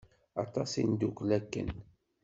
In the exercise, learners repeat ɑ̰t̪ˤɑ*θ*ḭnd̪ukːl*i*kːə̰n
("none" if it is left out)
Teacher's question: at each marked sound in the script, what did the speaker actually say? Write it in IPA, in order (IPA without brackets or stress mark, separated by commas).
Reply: s, æ